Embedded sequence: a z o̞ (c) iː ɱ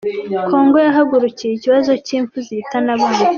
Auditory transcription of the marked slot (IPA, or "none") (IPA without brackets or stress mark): c